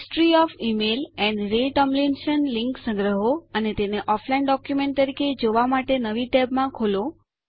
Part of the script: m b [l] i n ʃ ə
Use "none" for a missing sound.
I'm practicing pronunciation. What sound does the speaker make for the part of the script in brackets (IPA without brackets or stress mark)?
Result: l